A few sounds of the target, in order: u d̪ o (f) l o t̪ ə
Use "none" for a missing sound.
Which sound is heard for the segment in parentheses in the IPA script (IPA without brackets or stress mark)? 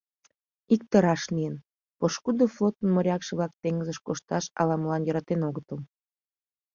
f